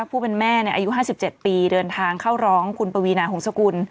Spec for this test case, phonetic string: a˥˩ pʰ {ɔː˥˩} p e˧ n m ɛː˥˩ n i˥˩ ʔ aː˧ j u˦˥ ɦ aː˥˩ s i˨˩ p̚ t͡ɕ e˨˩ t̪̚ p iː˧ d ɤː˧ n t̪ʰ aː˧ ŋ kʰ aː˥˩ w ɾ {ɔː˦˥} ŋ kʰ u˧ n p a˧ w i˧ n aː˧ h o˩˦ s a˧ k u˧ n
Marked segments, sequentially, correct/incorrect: incorrect, correct

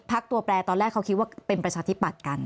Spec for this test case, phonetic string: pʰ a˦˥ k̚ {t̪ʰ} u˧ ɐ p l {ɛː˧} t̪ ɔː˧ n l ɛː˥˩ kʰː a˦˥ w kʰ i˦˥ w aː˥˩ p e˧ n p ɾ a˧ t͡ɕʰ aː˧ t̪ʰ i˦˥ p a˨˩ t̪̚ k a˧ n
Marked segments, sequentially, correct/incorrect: incorrect, correct

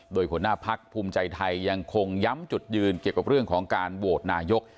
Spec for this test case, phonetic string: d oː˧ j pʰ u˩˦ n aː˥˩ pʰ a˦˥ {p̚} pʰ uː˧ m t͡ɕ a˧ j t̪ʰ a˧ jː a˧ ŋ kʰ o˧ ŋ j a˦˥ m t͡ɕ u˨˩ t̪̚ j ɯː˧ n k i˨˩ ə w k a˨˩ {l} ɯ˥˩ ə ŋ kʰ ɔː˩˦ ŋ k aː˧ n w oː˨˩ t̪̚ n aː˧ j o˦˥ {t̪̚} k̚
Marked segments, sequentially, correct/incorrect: incorrect, incorrect, incorrect

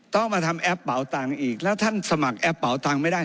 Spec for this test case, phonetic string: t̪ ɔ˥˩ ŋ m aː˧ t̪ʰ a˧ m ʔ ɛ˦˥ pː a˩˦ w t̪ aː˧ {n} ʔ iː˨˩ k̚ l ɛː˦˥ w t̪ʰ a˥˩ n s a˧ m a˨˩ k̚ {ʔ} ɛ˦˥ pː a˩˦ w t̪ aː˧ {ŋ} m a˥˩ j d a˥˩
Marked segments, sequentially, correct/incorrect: incorrect, correct, correct

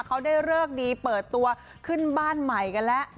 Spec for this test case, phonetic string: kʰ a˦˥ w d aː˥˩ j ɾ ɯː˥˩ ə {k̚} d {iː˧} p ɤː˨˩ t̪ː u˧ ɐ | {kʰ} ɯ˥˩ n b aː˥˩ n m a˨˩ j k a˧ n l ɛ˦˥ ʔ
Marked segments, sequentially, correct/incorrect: correct, correct, correct

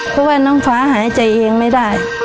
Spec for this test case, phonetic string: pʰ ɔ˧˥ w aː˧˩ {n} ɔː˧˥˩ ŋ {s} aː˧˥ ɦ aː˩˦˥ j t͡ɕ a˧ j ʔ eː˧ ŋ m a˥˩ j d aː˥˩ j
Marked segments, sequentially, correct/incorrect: correct, incorrect

